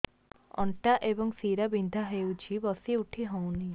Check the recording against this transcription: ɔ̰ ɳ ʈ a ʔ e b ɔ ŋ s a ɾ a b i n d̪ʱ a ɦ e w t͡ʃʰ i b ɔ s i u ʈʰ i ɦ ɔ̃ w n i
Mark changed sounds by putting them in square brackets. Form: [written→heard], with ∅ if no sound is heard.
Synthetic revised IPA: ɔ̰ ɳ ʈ a ʔ e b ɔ ŋ s [a→i] ɾ a b i n d̪ʱ a ɦ e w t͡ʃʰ i b ɔ s i u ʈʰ i ɦ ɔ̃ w n i

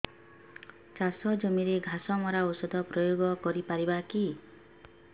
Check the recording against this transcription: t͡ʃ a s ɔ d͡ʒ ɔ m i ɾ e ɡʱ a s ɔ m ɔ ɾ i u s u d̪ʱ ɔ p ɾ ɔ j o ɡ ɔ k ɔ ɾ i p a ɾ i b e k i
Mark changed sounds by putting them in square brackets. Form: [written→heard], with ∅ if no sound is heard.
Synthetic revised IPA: t͡ʃ a s ɔ d͡ʒ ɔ m i ɾ e ɡʱ a s ɔ m ɔ ɾ [i→a] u s [u→ɔ] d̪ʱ ɔ p ɾ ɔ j o ɡ ɔ k ɔ ɾ i p a ɾ i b [e→a] k i

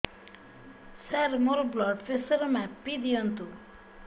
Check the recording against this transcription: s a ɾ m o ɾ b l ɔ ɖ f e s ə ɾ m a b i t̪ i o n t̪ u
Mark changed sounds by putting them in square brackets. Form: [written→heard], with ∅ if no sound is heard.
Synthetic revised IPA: s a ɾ m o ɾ b l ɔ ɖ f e s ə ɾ m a [b→p] i [t̪→d̪] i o n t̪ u

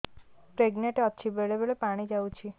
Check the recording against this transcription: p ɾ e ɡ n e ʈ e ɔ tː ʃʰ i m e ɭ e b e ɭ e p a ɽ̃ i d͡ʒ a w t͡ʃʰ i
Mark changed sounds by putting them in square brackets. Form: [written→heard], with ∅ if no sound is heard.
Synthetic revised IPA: p ɾ e ɡ n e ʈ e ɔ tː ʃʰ i [m→b] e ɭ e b e ɭ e p a ɽ̃ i d͡ʒ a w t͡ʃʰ i

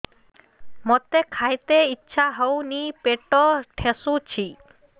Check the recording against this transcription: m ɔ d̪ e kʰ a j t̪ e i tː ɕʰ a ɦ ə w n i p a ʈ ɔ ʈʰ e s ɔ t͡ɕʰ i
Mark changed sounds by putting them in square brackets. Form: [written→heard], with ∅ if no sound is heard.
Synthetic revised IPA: m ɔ [d̪→t̪] e kʰ a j t̪ e i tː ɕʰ a ɦ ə w n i p [a→e] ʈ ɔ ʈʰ e s [ɔ→u] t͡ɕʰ i

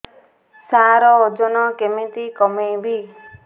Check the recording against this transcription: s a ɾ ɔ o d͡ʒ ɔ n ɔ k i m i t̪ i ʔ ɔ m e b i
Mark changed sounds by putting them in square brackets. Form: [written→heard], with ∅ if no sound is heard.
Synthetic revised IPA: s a ɾ ɔ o d͡ʒ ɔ n ɔ k [i→e] m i t̪ i [ʔ→k] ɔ m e b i

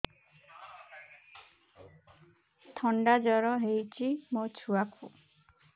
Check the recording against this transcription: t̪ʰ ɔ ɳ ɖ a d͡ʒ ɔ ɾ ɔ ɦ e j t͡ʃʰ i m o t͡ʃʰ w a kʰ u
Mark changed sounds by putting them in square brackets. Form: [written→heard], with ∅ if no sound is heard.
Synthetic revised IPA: t̪ʰ ɔ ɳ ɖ a d͡ʒ ɔ ɾ ɔ ɦ e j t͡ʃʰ i m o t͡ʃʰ [w→u] a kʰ u

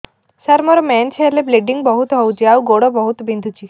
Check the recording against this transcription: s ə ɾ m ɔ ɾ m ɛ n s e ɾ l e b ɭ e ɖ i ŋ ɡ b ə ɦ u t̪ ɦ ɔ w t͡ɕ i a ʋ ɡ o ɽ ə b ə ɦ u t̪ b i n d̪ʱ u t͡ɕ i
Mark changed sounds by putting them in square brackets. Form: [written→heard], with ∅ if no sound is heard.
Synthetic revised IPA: s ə ɾ m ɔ ɾ m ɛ n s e ɾ l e b [ɭ→l] e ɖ i ŋ ɡ b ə ɦ u t̪ ɦ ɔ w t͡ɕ i a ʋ ɡ o ɽ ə b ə ɦ u t̪ b i n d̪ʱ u t͡ɕ i

